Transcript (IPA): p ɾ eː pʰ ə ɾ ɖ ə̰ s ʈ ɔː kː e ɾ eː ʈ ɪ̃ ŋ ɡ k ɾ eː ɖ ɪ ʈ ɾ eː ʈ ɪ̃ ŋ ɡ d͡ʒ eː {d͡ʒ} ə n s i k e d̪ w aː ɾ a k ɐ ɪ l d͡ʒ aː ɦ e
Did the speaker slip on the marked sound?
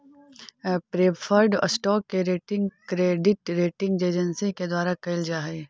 no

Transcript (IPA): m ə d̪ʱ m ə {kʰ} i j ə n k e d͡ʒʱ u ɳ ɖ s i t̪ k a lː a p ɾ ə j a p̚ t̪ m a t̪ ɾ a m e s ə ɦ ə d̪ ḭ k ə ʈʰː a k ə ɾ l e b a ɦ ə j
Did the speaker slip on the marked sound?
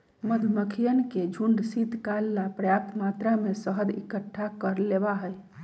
no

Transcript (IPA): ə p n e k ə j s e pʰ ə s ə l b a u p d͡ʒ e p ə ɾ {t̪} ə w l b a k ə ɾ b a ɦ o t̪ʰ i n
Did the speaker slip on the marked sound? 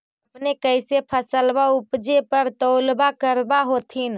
no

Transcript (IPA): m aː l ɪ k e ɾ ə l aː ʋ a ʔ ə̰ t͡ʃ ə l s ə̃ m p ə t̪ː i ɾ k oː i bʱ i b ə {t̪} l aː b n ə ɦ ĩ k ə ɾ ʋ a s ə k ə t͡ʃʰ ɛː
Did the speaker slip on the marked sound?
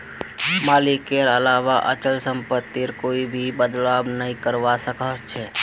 yes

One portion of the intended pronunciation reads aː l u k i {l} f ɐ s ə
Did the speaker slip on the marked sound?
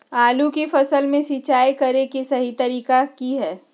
yes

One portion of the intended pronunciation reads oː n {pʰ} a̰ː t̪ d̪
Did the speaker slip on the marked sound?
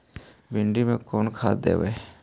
yes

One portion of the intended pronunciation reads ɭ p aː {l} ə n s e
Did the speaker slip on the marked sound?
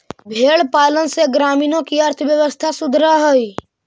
no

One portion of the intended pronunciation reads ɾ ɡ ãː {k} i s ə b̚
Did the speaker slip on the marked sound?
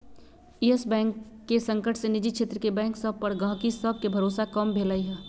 no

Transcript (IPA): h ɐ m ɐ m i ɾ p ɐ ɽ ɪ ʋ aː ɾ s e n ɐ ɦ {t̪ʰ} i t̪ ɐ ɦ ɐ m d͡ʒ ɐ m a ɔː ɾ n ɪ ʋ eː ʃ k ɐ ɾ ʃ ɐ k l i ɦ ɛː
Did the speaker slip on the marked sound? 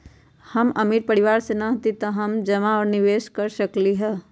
yes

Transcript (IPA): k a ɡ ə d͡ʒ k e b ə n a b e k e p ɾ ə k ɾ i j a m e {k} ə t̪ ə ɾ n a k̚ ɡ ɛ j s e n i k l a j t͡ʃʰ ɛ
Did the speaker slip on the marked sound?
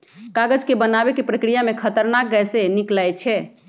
yes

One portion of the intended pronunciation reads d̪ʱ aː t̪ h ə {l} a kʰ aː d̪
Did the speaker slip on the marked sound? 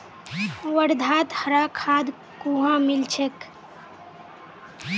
yes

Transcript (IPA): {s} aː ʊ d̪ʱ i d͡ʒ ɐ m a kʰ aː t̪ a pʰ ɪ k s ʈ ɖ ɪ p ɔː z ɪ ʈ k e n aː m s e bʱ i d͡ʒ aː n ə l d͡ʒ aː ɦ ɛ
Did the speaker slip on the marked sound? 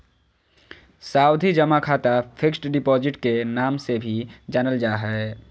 no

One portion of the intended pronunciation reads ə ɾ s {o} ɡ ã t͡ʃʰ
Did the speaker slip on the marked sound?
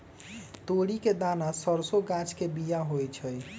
no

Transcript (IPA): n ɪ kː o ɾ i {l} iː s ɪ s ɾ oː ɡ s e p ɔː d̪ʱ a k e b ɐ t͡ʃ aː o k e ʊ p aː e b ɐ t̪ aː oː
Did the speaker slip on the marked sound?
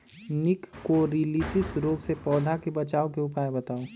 no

